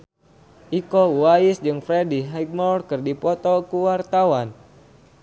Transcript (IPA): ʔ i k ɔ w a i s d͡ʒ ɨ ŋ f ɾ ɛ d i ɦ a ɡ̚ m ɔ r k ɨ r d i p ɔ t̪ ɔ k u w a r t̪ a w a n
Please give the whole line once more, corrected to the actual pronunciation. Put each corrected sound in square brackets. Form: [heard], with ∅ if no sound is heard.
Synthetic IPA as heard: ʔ i k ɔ w a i s d͡ʒ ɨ ŋ f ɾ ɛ d i ɦ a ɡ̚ m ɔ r k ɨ r d i p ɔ t̪ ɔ k u w a r t̪ a w a n